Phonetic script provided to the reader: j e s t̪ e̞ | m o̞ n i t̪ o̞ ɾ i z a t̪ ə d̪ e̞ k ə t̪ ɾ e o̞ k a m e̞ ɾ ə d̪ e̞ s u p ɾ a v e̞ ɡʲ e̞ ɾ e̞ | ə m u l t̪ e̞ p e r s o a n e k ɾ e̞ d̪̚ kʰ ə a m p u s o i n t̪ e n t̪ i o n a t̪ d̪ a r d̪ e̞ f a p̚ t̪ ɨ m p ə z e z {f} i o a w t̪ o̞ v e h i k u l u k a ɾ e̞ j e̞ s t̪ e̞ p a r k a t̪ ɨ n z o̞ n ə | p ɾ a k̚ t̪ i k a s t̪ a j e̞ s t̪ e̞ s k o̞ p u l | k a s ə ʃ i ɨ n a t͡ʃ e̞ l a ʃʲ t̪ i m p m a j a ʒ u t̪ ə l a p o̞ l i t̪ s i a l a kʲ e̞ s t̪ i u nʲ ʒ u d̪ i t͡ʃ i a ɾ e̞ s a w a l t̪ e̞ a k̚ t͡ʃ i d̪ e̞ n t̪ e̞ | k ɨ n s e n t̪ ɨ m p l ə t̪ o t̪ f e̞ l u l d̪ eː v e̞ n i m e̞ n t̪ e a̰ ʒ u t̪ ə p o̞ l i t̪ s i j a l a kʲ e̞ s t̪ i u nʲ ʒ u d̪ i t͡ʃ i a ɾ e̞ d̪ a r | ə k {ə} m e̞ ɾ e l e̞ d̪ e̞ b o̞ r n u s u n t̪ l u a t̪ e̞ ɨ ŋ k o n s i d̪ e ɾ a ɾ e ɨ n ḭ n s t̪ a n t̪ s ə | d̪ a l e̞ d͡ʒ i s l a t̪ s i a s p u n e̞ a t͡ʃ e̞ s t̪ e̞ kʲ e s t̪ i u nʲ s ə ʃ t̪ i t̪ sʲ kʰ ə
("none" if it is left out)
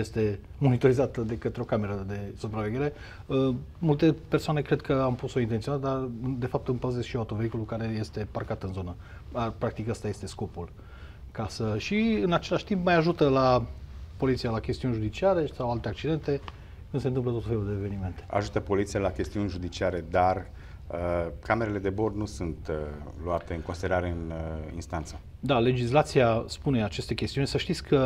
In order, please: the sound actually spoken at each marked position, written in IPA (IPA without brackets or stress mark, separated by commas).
ʃ, a